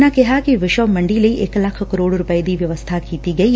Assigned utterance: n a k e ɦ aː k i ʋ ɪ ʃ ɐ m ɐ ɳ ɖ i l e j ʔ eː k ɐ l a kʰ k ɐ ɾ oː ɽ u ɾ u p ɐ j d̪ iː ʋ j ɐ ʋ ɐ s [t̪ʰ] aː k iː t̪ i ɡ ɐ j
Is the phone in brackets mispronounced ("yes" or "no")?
no